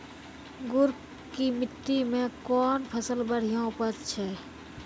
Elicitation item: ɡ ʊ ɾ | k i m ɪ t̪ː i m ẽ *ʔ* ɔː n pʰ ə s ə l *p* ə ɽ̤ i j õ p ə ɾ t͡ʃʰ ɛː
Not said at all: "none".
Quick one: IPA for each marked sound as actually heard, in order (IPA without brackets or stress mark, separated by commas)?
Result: k, b